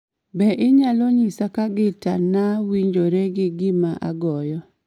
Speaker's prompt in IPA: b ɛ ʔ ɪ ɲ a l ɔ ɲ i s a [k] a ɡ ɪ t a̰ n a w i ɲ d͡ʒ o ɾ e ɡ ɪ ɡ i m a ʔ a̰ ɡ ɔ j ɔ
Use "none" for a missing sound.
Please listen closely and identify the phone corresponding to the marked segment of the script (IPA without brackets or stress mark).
k